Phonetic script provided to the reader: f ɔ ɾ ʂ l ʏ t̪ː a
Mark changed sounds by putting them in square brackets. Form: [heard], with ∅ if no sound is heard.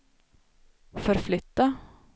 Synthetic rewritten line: f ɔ ɾ [f] l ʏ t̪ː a